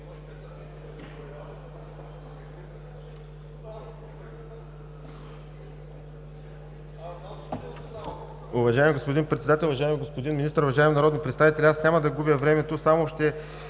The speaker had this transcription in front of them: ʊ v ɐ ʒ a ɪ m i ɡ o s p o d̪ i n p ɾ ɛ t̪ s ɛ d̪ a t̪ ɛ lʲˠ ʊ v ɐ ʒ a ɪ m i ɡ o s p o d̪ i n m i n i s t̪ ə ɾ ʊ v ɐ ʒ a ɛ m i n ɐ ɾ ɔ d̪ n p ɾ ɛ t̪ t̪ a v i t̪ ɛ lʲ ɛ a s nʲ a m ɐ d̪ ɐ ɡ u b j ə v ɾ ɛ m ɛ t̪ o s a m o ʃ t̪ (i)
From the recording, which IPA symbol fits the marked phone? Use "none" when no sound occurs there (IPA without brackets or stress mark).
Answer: ɛ